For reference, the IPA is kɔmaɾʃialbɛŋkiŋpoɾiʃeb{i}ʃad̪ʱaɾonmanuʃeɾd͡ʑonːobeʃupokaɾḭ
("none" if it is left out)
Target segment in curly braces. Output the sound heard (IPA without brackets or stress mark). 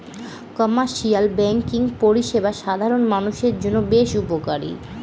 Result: a